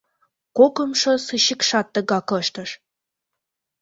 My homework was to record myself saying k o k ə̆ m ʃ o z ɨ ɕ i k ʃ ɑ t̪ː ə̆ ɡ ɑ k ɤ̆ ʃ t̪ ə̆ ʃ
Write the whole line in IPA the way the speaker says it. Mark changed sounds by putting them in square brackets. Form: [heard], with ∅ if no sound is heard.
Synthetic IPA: k o k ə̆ m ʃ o [s] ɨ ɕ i k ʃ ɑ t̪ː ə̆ ɡ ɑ k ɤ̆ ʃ t̪ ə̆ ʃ